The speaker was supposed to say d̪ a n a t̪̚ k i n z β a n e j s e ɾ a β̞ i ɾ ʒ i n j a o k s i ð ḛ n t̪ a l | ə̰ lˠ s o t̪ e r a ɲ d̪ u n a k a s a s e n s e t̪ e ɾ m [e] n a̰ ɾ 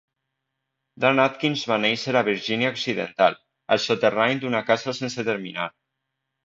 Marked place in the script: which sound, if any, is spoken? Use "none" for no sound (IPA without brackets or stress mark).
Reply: i